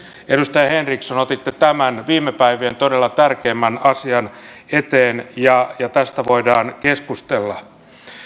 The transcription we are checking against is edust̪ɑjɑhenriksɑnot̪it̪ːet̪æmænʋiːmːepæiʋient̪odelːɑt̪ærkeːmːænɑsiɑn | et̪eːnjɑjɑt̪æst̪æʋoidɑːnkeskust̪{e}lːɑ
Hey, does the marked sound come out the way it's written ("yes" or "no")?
yes